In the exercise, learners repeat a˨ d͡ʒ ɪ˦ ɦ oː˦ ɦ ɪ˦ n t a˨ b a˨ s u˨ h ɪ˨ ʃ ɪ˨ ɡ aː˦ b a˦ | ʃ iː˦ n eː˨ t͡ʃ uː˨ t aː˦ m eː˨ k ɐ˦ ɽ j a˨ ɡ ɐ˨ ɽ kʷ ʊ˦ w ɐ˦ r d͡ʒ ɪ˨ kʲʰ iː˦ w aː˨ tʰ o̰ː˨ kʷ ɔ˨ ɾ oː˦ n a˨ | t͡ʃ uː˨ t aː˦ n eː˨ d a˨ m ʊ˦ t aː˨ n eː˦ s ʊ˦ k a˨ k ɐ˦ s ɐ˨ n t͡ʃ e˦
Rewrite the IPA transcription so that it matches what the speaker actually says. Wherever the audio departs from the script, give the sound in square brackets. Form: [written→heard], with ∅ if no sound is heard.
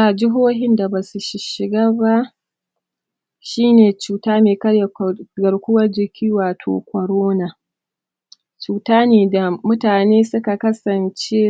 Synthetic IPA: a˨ d͡ʒ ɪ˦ ɦ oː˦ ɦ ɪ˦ n [t→d] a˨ b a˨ s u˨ [h→ʃ] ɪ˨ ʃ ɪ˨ ɡ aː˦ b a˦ | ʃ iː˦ n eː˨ t͡ʃ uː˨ t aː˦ m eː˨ k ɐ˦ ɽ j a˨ ɡ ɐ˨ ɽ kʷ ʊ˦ w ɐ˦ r d͡ʒ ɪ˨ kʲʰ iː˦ w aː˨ tʰ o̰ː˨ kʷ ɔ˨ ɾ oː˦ n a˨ | t͡ʃ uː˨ t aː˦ n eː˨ d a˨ m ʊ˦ t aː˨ n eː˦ s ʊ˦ k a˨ k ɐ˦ s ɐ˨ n t͡ʃ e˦